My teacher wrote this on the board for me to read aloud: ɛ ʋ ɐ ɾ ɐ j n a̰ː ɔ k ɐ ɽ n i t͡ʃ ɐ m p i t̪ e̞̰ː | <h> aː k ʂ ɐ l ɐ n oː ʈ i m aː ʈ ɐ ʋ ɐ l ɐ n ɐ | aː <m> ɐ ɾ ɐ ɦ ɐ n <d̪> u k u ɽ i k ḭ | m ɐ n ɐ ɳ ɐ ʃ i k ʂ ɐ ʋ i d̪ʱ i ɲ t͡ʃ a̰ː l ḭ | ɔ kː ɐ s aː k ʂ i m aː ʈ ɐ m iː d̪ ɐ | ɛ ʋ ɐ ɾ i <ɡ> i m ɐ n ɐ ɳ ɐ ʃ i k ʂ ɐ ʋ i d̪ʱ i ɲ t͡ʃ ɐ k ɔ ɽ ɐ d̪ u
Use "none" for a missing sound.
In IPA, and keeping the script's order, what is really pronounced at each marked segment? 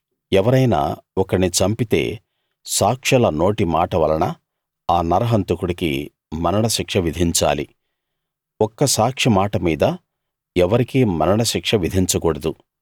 s, n, t̪, k

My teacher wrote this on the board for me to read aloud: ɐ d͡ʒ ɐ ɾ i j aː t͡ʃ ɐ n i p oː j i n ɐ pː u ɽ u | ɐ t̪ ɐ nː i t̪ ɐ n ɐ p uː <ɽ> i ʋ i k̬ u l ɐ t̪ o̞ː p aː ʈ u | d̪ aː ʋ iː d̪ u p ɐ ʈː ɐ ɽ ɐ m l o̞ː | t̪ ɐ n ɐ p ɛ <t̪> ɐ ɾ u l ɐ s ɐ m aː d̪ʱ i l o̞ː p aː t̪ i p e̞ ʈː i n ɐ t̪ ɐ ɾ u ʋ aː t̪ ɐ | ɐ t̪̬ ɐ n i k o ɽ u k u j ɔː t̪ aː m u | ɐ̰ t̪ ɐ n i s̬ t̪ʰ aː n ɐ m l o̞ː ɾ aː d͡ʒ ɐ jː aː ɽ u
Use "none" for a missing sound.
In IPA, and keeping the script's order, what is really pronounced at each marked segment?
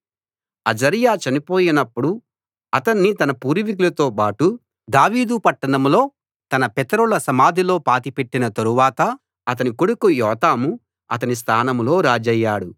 ɾ, t̪

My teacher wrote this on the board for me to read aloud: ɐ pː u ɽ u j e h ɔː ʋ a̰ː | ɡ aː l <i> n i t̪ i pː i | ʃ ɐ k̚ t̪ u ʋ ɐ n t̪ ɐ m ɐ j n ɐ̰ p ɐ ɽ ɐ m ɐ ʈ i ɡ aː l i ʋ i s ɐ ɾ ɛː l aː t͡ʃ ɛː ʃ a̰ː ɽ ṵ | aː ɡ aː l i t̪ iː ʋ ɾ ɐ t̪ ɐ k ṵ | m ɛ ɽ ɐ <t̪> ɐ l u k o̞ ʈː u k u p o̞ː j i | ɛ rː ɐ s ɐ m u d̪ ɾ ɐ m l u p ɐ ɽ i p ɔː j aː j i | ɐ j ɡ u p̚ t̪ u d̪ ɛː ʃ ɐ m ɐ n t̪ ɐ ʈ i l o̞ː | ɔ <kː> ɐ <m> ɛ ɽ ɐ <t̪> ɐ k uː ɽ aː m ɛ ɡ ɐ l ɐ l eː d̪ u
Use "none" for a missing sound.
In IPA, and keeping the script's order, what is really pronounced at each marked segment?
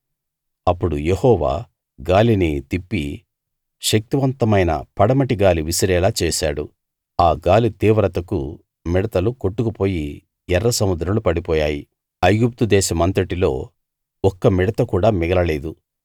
i, t̪, kː, m, t̪

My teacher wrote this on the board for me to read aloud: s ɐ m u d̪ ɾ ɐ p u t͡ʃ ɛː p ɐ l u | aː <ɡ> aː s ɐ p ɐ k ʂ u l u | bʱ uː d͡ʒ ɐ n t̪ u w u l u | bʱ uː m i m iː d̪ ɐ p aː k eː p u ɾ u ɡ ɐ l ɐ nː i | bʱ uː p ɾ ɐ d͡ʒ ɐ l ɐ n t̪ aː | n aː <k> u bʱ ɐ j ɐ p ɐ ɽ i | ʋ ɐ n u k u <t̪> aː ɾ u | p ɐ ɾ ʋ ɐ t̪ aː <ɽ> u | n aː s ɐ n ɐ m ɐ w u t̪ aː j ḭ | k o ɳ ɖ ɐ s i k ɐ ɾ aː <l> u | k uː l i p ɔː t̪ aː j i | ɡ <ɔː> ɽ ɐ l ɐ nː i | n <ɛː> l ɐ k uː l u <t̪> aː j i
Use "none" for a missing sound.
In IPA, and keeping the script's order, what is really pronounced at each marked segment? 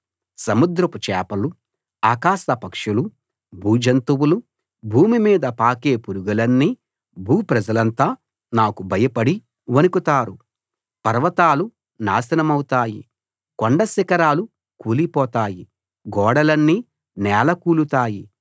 k, k, t̪, l, l, ɔː, ɛː, t̪

